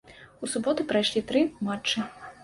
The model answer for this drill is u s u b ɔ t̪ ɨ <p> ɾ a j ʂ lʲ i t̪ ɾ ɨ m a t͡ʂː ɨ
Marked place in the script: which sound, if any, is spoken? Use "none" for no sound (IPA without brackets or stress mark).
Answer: p